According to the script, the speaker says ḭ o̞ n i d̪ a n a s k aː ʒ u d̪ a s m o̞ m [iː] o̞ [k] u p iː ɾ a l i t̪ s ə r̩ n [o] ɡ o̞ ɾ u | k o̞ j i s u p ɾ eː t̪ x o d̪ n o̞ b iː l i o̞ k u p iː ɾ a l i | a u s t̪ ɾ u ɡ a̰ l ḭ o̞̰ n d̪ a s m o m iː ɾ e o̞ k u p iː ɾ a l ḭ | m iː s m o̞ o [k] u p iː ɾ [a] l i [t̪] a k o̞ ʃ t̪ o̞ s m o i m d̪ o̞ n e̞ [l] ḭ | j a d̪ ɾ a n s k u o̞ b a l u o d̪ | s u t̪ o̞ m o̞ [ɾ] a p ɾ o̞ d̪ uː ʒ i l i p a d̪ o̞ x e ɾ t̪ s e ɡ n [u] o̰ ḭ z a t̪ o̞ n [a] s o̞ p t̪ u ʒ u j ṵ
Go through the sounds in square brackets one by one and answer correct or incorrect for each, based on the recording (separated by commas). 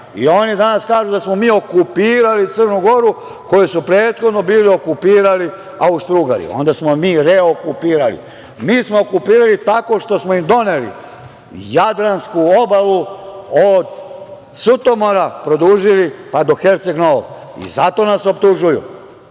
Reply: correct, correct, incorrect, correct, correct, correct, correct, correct, incorrect, correct